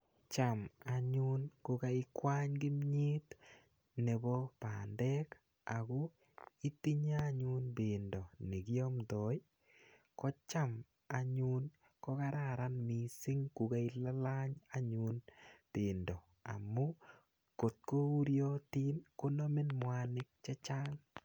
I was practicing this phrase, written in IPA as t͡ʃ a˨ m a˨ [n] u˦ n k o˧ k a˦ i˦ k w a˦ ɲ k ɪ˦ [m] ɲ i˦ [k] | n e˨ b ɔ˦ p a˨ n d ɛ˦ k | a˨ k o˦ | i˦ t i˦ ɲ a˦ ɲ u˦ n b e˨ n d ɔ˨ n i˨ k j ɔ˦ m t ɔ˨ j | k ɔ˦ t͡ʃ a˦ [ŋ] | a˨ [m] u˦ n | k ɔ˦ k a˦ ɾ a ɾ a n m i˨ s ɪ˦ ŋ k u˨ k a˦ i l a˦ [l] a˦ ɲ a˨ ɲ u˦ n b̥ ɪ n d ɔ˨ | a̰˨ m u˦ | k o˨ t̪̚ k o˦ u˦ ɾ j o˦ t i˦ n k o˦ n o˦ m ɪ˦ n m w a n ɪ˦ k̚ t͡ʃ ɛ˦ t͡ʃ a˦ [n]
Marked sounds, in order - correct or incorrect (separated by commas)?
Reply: incorrect, correct, incorrect, incorrect, incorrect, correct, incorrect